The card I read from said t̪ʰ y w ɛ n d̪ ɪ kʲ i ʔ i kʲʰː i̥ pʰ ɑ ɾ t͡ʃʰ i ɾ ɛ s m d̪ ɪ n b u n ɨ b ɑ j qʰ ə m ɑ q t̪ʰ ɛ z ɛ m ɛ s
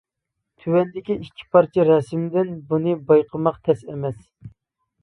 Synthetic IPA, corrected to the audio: t̪ʰ y w ɛ n d̪ ɪ kʲ i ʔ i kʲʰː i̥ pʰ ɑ ɾ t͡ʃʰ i ɾ ɛ s m d̪ ɪ n b u n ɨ b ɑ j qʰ ə m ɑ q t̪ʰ ɛ s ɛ m ɛ s